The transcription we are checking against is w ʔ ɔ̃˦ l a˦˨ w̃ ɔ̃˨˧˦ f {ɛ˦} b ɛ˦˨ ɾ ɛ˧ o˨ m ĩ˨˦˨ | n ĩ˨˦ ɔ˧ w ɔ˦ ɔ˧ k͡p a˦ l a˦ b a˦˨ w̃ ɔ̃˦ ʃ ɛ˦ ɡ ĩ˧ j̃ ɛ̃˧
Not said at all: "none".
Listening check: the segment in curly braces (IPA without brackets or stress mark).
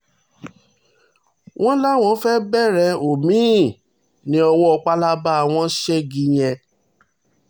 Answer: ɛ˦